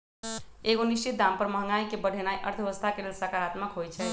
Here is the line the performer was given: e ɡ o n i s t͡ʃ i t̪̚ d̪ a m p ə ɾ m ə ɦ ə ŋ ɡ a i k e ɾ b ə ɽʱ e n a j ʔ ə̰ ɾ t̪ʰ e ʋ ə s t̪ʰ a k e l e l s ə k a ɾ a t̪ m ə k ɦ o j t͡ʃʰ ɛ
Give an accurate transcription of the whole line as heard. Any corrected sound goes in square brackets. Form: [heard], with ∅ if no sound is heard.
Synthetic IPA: e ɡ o n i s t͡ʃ i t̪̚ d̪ a m p ə ɾ m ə ɦ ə ŋ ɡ a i k e [∅] b ə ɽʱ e n a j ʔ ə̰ ɾ t̪ʰ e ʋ ə s t̪ʰ a k e l e l s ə k a ɾ a t̪ m ə k ɦ o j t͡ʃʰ ɛ